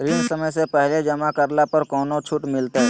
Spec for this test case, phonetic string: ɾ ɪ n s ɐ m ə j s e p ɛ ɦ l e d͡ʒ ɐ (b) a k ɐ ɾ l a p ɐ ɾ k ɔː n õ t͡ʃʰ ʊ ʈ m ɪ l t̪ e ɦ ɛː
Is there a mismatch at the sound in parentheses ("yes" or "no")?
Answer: yes